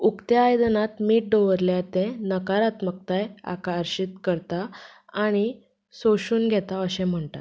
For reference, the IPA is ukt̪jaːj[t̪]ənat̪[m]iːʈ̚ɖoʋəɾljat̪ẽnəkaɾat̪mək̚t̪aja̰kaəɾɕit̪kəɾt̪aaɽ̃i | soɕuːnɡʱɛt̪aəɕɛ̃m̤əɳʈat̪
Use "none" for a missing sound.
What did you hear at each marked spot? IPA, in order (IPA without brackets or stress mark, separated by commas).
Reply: d̪, m